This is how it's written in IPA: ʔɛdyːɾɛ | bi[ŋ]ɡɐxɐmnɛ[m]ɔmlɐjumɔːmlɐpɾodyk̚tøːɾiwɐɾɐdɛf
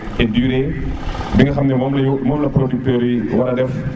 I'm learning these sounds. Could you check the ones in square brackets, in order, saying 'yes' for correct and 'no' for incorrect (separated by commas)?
yes, yes